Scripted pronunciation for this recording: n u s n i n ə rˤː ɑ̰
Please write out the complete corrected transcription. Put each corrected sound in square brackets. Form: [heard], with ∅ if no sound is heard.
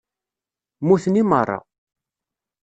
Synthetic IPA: [m] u [θ] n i [m] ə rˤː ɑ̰

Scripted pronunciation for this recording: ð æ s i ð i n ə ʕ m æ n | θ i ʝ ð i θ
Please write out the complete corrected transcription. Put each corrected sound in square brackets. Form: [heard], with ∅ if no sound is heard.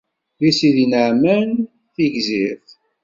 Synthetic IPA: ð [i] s i ð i n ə ʕ m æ n | θ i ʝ [z] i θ

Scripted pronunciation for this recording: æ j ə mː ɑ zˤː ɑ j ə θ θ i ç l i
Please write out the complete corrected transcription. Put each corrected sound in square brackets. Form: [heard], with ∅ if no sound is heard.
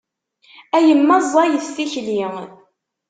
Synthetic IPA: æ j ə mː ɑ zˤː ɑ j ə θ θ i ç l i

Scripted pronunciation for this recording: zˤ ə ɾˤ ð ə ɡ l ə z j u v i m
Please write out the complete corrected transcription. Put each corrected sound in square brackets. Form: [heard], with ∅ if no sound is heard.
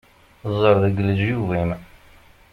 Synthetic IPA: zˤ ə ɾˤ ð ə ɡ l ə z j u v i m

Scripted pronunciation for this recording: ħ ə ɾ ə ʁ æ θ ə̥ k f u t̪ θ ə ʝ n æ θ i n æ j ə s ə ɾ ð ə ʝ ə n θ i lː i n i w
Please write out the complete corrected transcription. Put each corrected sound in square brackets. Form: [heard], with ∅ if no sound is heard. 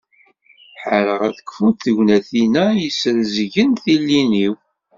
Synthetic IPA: ħ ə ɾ ə ʁ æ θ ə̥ k f u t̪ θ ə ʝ n æ θ i n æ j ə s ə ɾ [z] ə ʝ ə n θ i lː i n i w

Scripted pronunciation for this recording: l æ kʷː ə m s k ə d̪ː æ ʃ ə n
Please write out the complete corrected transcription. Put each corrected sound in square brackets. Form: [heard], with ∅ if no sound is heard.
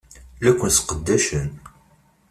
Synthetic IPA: l æ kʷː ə [n] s [q] ə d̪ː æ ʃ ə n

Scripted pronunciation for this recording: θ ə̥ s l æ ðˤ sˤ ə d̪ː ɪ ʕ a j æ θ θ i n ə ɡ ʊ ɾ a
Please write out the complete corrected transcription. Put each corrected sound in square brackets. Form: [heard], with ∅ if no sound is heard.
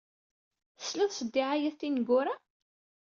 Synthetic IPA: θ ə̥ s l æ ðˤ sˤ ə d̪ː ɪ ʕ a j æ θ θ i n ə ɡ ʊ ɾ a

